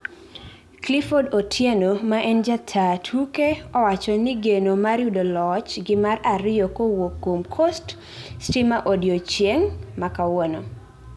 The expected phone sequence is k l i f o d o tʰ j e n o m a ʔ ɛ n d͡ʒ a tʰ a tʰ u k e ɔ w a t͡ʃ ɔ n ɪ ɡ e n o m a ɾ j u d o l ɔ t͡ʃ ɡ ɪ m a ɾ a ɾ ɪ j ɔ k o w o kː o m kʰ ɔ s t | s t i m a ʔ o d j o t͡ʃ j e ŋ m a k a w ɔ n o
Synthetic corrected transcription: k l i f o d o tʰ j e n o m a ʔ ɛ n d͡ʒ a tʰ a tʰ u k e ɔ w a t͡ʃ ɔ n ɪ ɡ e n o m a ɾ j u d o l ɔ t͡ʃ ɡ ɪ m a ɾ a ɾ ɪ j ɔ k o w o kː o m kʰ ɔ s t | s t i m a ʔ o d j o t͡ʃ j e ŋ m a k a w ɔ n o